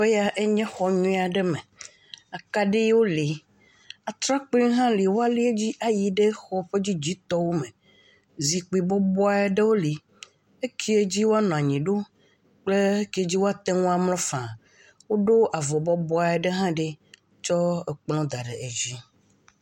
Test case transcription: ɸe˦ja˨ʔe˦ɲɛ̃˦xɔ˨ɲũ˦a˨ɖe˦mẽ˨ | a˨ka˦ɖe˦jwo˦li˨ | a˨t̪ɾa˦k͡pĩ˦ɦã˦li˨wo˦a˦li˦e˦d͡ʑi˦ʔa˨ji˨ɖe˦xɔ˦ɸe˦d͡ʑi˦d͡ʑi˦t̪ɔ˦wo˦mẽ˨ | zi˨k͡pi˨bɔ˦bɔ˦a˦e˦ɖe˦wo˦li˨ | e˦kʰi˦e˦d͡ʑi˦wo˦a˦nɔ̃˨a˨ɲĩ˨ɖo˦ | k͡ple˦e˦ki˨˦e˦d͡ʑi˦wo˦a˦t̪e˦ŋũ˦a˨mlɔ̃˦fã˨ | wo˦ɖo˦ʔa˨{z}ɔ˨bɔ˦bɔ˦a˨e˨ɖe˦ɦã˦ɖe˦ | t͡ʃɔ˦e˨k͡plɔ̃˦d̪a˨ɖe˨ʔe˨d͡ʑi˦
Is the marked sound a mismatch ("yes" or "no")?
yes